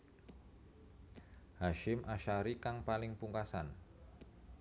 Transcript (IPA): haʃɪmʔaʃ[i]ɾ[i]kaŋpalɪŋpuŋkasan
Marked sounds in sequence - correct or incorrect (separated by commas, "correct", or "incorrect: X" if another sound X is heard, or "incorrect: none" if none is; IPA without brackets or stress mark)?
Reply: incorrect: a, correct